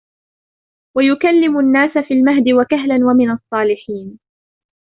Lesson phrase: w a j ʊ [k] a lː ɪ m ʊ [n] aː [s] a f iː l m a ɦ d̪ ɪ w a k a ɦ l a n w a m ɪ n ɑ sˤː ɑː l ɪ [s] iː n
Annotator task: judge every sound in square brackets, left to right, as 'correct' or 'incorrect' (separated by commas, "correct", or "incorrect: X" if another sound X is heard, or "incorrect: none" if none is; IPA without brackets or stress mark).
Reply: correct, incorrect: nː, correct, incorrect: ħ